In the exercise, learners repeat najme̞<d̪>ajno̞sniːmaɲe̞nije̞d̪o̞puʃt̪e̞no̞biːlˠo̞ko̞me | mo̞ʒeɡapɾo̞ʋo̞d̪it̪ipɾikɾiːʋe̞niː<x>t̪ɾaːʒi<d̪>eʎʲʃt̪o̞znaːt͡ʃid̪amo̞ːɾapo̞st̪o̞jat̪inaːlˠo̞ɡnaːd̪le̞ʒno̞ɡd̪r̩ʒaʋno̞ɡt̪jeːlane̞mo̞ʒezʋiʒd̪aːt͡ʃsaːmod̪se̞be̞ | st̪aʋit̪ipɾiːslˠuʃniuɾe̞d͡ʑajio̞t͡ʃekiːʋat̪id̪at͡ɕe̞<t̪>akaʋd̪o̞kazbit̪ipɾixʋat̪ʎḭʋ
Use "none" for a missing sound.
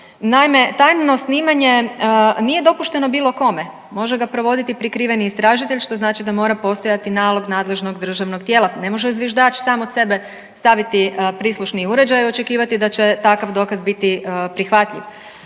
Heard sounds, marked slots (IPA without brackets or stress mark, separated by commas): t̪, s, t̪, t̪